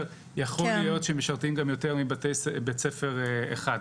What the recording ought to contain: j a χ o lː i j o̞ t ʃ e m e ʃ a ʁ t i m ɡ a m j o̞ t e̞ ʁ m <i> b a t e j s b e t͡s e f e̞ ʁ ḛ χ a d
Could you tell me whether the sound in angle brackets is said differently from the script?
no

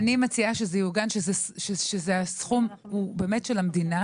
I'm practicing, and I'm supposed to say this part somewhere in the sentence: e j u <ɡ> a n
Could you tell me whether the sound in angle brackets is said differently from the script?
no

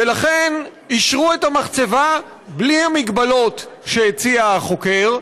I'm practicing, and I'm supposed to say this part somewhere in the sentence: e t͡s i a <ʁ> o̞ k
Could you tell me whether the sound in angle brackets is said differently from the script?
yes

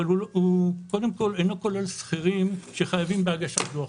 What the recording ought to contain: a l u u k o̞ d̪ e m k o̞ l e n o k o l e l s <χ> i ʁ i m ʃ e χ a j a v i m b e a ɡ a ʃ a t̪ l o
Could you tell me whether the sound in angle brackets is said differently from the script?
no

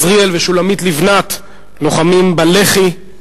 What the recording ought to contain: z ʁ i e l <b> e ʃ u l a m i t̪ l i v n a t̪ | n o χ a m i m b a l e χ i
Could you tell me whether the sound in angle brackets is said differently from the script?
yes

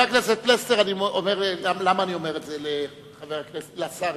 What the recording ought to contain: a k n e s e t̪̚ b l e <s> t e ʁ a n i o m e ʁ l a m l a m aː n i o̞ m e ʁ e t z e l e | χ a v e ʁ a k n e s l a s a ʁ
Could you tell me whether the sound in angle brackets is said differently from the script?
no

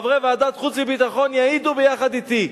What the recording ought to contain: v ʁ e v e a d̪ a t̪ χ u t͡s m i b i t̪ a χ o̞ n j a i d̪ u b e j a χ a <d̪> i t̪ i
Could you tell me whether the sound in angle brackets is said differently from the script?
no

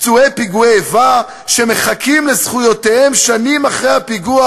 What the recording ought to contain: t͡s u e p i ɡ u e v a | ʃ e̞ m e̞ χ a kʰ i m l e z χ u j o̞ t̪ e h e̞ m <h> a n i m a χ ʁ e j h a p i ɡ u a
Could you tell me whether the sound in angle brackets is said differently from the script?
yes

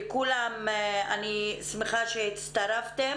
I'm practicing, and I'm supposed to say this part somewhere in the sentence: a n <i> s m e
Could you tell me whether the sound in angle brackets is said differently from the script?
no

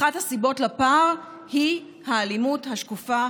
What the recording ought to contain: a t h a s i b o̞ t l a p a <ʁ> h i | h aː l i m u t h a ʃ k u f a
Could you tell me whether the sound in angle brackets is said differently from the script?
no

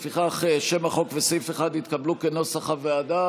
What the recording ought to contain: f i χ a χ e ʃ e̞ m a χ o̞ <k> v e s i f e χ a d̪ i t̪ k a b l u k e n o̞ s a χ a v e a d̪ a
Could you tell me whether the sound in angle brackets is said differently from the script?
no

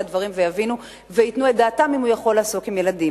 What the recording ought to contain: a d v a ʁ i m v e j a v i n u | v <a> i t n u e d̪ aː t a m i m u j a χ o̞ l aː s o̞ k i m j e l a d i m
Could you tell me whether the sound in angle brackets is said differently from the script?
yes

